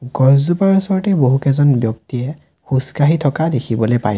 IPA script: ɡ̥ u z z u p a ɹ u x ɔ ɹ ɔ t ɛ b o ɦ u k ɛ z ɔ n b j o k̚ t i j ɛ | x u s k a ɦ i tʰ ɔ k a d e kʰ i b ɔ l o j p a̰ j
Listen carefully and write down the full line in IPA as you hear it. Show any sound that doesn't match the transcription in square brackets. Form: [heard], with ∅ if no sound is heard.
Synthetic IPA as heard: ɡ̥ [ɔ] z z u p a ɹ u [s] ɔ ɹ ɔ t ɛ b o ɦ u k ɛ z ɔ n b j [ɔ] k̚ t i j ɛ | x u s k a ɦ i tʰ ɔ k a d e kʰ i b ɔ l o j p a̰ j